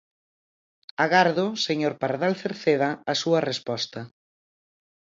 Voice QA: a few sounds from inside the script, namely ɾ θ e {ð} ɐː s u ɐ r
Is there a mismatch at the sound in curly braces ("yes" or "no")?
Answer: no